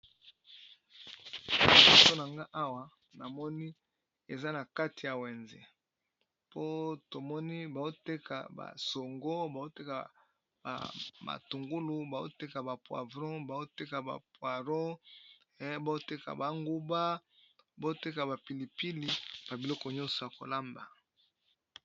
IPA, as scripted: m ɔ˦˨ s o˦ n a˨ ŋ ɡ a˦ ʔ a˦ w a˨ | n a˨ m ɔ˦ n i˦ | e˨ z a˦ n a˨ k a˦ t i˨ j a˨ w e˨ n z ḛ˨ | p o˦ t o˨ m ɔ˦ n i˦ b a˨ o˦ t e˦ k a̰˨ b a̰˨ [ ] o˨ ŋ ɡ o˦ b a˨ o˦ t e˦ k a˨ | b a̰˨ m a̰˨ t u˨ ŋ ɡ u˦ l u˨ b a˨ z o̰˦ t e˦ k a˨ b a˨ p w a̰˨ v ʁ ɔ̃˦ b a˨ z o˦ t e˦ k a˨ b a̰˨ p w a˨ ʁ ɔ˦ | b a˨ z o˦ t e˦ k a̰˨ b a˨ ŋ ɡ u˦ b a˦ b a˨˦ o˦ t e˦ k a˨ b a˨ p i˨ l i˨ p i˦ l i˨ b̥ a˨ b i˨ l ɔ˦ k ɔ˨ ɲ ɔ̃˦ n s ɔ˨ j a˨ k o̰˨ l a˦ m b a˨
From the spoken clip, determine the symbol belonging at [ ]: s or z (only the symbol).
s